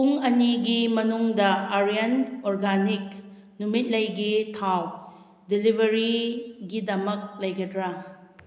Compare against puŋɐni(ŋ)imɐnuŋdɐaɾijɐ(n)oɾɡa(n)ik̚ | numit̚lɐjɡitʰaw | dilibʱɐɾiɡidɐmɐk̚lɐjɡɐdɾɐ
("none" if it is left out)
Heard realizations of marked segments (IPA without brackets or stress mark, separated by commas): ɡ, n, n